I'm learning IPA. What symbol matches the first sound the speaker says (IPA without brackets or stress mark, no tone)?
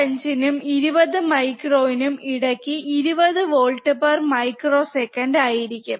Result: ɐ